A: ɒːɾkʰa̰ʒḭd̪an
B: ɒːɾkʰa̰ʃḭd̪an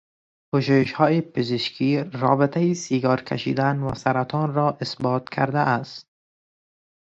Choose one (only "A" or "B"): B